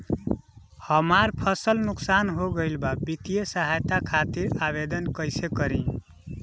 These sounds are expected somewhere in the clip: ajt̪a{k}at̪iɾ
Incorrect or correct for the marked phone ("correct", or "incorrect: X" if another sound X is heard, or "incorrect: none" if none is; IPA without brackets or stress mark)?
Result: incorrect: kʰ